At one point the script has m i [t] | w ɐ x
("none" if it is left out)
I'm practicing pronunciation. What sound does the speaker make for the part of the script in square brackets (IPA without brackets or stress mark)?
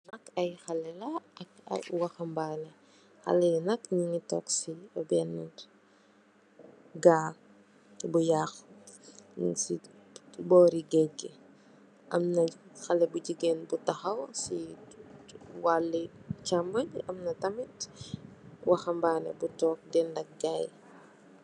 t